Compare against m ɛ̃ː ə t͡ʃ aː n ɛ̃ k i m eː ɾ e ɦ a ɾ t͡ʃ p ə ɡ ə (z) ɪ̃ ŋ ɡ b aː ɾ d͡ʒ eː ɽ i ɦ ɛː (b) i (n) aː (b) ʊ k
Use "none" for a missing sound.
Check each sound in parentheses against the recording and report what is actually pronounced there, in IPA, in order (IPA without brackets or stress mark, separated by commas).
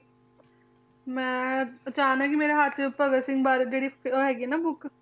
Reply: s, ɡ, n, b